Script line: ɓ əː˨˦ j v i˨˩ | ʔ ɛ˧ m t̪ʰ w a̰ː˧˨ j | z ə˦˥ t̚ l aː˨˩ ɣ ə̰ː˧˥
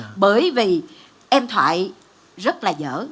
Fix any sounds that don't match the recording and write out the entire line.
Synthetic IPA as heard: ɓ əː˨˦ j v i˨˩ | ʔ ɛ˧ m t̪ʰ w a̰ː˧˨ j | z ə˦˥ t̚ l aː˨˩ z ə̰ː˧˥